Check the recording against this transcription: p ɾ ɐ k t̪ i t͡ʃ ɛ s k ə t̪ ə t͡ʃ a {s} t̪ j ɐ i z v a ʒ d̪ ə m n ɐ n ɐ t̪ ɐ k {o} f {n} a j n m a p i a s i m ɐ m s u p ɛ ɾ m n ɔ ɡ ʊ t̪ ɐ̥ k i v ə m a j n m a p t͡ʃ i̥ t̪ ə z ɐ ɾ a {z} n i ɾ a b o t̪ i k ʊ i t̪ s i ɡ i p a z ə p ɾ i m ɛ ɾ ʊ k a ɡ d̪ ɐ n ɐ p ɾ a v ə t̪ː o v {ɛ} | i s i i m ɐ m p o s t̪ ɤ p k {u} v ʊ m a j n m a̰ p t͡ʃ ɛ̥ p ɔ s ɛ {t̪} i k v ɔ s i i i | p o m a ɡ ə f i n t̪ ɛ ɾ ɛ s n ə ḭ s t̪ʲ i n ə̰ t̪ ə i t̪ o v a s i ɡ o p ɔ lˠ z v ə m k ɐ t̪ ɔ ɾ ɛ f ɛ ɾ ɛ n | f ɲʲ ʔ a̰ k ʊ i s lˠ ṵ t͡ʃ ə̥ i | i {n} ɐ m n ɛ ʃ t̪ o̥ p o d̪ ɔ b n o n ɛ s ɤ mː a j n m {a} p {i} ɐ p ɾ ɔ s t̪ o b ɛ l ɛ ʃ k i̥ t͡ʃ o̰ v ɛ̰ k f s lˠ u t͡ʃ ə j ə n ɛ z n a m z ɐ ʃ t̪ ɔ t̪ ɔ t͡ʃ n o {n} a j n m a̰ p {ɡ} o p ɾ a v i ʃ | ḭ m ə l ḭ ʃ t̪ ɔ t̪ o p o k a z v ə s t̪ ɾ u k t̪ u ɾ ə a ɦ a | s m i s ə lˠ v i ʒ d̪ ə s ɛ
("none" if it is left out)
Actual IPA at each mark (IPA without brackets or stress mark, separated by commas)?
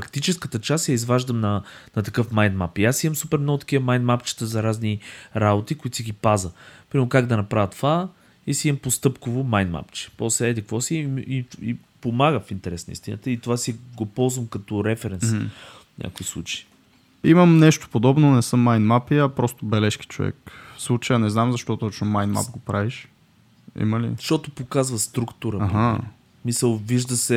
s, ɤ, m, z, a, o, d̪, m, a, i, m, ɡ